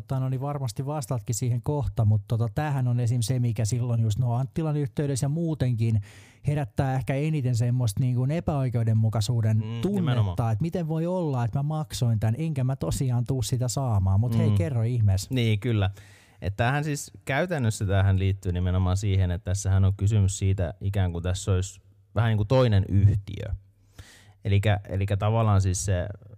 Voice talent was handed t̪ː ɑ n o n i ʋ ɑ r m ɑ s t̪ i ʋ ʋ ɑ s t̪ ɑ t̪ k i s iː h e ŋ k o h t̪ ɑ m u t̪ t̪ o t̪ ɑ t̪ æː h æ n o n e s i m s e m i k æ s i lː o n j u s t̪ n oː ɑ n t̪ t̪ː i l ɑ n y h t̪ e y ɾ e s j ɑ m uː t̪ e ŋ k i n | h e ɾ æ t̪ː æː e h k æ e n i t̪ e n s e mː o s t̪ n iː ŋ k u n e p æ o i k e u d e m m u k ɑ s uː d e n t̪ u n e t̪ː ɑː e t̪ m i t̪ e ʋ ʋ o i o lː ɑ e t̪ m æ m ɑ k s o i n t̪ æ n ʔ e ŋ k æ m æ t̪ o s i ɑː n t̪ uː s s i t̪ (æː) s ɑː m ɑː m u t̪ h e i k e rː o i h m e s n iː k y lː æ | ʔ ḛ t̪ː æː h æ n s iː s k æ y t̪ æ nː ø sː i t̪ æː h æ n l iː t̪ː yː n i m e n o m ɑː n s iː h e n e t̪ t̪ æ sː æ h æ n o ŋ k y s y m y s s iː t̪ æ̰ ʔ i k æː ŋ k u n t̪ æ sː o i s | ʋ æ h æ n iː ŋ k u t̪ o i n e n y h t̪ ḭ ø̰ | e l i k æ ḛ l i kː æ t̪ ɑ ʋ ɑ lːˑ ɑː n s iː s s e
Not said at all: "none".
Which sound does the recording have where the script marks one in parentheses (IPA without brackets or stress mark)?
æ